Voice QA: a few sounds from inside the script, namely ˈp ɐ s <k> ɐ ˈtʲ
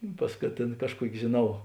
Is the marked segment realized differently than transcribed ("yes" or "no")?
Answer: no